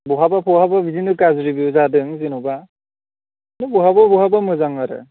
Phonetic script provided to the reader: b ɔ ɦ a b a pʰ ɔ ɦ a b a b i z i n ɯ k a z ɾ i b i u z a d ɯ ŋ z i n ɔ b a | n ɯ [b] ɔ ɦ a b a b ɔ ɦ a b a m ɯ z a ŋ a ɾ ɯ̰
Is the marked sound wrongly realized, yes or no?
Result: no